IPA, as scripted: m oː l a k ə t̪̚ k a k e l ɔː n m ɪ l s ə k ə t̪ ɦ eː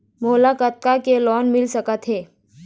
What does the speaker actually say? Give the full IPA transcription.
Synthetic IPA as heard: m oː l a k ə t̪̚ k a k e l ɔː n m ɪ l s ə k ə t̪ ɦ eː